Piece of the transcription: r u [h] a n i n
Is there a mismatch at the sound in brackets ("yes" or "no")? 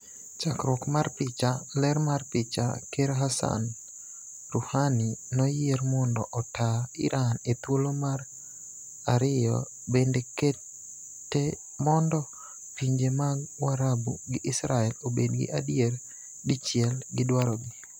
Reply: no